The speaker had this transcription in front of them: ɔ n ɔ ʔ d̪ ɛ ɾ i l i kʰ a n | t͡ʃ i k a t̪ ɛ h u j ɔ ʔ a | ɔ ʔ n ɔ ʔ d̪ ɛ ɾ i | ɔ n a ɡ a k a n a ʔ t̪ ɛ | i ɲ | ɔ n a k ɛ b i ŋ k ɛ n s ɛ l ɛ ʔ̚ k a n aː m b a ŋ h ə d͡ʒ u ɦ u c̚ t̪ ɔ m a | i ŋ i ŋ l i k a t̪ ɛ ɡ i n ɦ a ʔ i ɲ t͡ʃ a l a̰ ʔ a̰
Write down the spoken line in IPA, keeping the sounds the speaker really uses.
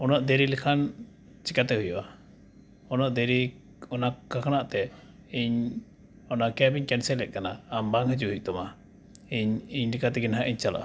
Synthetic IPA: ɔ n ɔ ʔ d̪ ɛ ɾ i l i kʰ a n | t͡ʃ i k a t̪ ɛ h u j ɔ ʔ a | ɔ n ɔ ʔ d̪ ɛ ɾ i | ɔ n a k a k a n a ʔ t̪ ɛ | i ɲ | ɔ n a k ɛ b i ɲ k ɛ n s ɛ l ɛ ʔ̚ k a n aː m b a ŋ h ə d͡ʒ u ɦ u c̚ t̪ ɔ m a | i ɲ i ɲ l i k a t̪ ɛ ɡ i n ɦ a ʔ i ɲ t͡ʃ a l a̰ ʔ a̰